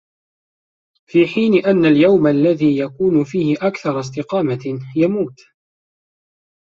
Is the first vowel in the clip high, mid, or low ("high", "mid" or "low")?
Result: high